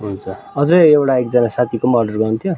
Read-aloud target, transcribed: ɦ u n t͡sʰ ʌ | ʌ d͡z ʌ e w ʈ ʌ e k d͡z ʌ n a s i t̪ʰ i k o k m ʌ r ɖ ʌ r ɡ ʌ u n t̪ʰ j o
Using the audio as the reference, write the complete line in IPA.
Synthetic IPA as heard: ɦ u n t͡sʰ ʌ | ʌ d͡z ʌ e w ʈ a e k d͡z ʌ n a s a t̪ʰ i k o m ʌ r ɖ ʌ r ɡ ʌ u n t̪ʰ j o